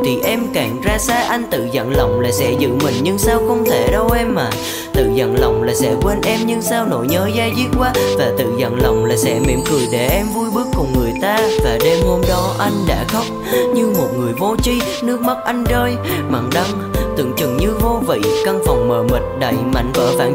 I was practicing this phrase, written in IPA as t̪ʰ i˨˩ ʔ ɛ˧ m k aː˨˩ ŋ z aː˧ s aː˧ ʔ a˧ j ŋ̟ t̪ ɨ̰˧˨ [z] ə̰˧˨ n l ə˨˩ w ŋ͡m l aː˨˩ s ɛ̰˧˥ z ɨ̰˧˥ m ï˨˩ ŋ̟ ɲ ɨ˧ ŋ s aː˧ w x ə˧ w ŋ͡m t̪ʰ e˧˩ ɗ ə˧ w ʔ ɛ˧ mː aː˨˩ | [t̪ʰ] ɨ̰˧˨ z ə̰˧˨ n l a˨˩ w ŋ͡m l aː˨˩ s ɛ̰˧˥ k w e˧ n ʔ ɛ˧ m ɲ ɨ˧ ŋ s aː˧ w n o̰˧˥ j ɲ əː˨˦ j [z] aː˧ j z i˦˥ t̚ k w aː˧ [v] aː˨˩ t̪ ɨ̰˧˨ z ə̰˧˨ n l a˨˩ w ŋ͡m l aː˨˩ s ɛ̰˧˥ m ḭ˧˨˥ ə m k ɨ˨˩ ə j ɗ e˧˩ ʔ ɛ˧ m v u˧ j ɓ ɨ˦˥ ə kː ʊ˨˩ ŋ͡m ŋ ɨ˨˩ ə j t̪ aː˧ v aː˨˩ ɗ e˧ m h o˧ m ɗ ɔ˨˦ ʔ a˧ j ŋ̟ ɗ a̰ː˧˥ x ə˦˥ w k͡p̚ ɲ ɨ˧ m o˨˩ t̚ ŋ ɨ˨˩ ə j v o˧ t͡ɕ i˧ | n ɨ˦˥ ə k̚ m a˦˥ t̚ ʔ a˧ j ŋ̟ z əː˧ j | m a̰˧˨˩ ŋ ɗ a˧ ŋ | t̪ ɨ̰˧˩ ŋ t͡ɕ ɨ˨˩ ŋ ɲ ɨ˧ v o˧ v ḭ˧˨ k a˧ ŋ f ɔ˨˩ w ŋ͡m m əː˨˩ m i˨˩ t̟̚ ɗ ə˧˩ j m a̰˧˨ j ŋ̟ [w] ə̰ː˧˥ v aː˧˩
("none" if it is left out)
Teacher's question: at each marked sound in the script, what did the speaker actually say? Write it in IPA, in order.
z, t̪, z, v, v

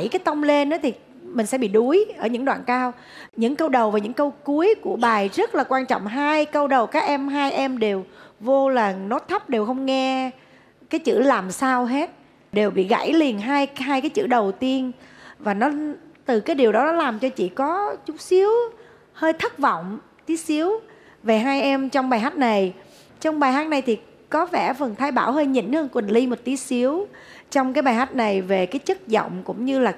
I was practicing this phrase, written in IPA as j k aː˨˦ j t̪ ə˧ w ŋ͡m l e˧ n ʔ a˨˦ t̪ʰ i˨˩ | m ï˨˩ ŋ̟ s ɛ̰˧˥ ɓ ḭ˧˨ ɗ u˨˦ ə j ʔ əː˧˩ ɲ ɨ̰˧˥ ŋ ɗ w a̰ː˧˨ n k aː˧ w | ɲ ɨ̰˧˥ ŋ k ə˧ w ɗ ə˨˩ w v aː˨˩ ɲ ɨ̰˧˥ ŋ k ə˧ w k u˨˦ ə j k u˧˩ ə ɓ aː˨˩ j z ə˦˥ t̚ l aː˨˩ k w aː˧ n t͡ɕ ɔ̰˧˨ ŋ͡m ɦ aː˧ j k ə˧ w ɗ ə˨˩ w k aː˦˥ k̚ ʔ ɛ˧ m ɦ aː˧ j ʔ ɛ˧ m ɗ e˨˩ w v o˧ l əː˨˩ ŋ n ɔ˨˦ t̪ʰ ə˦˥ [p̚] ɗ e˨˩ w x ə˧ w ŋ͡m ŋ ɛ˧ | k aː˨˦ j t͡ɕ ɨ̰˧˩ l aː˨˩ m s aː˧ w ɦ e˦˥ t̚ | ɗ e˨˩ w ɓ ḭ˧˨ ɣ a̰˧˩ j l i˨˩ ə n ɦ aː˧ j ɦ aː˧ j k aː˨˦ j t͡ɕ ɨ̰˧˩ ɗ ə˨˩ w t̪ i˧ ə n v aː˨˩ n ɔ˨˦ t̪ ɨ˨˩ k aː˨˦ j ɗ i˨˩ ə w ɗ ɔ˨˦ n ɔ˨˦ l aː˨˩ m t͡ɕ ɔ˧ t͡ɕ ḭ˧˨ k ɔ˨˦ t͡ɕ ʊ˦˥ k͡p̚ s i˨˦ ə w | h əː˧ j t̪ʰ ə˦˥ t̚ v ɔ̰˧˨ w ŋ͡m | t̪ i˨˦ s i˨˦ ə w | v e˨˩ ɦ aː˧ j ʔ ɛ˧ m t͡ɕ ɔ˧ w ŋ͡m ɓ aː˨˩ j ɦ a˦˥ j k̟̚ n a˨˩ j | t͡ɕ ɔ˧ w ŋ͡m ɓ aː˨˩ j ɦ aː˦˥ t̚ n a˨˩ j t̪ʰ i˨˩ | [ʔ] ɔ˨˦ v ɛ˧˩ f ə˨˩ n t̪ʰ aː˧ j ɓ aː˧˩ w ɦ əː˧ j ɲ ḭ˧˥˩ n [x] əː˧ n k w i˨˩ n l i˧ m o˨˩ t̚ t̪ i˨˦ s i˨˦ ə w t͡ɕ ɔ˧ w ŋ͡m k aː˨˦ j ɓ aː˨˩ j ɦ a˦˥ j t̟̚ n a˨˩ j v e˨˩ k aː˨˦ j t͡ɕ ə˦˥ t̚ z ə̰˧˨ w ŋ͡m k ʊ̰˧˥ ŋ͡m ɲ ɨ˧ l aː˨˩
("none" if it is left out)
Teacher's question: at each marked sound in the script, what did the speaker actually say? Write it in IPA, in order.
p̚, k, h

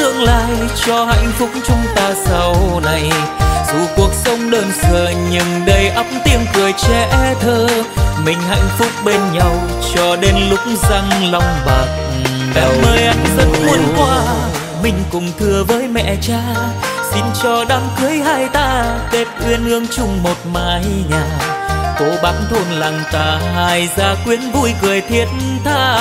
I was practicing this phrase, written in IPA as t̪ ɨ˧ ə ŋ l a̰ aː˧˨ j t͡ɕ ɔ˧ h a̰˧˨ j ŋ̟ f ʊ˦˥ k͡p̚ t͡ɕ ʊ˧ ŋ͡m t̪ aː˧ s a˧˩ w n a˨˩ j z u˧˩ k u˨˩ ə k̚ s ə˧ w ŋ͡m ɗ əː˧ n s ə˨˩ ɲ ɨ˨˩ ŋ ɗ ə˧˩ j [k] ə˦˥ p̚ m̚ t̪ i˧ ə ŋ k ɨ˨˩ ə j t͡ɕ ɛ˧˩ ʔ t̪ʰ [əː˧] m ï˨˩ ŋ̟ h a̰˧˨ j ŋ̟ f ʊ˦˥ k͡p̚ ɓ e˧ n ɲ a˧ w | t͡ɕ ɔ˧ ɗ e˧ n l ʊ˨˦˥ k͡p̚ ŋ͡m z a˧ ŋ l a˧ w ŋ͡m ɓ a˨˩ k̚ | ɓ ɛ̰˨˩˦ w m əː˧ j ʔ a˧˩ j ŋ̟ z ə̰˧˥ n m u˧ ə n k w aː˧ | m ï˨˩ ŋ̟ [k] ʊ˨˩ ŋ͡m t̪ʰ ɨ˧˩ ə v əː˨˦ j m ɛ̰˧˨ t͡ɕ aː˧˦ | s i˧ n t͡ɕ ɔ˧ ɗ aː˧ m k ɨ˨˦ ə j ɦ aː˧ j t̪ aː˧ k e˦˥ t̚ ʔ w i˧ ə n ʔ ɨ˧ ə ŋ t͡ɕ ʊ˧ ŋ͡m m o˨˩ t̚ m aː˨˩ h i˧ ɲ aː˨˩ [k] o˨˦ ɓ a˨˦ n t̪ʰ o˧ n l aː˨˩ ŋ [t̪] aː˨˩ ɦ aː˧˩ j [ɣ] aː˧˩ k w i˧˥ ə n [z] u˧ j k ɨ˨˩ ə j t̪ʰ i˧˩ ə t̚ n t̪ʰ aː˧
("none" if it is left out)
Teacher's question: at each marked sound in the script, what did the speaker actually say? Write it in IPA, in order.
ʔ, əː˧, k, k, t̪, z, v

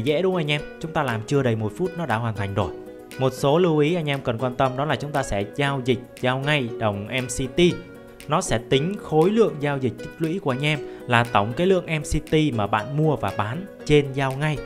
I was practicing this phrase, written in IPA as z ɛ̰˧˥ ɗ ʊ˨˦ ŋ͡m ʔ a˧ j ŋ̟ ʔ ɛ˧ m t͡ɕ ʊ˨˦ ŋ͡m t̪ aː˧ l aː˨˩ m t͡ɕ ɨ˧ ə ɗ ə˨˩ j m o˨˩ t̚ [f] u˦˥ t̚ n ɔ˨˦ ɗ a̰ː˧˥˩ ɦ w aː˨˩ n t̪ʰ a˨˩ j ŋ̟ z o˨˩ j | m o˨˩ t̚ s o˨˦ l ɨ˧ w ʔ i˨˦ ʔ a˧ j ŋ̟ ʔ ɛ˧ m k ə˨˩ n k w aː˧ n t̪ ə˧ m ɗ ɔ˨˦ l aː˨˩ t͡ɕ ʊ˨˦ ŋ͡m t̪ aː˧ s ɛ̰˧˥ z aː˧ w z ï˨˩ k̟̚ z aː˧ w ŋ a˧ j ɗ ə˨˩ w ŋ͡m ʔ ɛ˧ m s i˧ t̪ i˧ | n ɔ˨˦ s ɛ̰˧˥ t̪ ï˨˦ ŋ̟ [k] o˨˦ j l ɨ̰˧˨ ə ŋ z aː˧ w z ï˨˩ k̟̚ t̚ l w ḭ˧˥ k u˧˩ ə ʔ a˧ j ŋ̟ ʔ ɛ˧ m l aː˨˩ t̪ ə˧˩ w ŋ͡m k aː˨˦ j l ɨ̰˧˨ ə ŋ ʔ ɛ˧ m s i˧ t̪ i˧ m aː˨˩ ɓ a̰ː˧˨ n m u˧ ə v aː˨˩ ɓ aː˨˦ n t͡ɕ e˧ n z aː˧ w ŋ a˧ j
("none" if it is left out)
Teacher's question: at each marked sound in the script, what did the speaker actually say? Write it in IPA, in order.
f, x

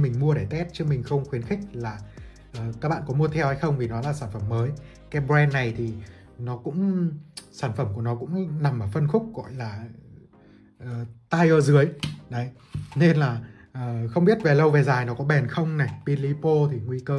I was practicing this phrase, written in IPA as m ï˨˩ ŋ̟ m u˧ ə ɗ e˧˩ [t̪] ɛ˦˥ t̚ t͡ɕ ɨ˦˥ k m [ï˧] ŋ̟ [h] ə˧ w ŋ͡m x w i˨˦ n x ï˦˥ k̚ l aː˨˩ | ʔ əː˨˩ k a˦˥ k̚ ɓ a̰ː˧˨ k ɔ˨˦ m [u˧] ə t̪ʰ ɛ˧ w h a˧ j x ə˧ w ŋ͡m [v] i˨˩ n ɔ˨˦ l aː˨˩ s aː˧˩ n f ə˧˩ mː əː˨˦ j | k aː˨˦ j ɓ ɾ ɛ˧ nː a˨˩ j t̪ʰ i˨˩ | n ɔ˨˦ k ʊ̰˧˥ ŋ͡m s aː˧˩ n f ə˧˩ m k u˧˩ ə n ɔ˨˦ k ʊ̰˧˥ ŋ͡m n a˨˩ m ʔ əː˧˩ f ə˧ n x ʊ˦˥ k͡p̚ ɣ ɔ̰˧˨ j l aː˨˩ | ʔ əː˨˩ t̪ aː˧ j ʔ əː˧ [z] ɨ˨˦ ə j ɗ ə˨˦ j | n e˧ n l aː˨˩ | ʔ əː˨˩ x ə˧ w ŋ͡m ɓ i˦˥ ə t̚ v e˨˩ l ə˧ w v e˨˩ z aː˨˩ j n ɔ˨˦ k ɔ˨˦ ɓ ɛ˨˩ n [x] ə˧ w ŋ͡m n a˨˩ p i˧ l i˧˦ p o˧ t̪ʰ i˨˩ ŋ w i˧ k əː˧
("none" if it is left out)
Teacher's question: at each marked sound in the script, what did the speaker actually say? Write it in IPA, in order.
t̪, ï˨˩, x, u˧, v, z, x

